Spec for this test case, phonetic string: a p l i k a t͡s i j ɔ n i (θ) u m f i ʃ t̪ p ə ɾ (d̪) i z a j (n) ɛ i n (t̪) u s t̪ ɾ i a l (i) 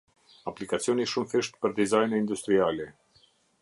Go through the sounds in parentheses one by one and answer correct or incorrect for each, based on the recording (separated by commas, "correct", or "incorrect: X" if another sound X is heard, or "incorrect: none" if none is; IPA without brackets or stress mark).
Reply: incorrect: ʃ, correct, correct, incorrect: d̪, incorrect: ɛ